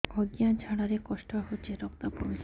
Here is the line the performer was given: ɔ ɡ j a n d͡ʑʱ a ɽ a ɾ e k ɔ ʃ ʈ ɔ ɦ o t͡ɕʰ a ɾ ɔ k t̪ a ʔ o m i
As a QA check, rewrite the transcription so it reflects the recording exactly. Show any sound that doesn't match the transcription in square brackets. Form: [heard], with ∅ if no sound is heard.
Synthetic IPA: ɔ ɡ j a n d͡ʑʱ a ɽ a ɾ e k ɔ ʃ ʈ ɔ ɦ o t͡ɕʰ [e] ɾ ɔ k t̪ a [p] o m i